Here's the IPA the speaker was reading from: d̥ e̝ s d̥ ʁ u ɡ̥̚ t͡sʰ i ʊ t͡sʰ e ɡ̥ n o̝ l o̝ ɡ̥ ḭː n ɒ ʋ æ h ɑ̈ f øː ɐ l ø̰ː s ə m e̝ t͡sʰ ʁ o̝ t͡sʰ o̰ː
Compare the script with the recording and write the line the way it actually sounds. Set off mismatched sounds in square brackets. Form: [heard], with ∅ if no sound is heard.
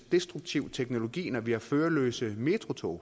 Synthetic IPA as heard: d̥ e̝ s d̥ ʁ u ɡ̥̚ t͡sʰ i ʊ t͡sʰ e ɡ̥ n o̝ l o̝ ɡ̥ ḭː n ɒ ʋ [i] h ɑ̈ f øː ɐ l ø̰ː s ə m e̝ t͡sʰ ʁ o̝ t͡sʰ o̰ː